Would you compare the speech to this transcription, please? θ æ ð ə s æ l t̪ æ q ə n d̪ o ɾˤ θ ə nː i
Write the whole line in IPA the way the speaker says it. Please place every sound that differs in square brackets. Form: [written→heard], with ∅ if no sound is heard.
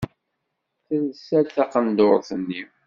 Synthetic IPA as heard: θ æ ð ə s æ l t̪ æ q ə n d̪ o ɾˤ θ ə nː i